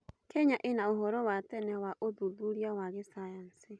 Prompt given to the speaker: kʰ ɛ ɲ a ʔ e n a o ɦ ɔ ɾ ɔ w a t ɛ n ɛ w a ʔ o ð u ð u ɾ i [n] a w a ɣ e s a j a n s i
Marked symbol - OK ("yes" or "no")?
no